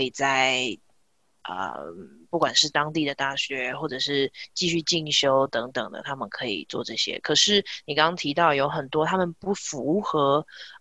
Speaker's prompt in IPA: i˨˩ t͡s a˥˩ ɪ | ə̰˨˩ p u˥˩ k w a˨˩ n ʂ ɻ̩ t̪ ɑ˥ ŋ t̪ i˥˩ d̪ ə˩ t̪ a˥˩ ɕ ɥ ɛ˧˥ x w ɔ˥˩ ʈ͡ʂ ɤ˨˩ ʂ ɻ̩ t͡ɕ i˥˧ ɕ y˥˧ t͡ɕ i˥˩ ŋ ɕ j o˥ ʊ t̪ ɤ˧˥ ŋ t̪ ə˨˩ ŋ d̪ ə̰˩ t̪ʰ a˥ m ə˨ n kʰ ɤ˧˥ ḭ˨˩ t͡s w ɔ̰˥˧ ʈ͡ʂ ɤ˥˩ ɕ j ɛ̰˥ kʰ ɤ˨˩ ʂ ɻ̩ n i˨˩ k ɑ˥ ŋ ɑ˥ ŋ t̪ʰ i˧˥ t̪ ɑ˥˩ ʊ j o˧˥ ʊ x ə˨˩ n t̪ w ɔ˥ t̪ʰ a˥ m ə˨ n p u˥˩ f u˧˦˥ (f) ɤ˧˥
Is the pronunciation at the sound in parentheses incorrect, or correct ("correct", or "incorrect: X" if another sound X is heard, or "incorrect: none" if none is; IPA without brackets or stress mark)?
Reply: incorrect: x